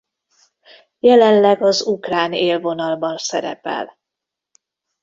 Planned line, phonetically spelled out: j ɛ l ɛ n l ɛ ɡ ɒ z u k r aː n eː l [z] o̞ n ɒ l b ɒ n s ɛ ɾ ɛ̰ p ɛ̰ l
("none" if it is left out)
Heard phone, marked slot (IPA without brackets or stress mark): v